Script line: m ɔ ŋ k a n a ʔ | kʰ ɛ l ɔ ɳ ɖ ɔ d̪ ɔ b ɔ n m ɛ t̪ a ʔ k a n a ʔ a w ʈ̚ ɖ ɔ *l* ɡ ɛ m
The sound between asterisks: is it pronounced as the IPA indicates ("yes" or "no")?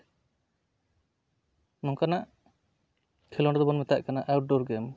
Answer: no